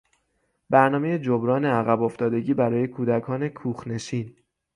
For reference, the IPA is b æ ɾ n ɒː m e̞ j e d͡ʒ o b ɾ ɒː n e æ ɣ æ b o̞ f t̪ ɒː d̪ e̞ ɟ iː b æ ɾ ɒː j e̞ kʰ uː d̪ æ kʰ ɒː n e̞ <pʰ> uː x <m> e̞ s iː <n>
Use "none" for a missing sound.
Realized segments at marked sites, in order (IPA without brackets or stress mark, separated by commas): kʰ, n, n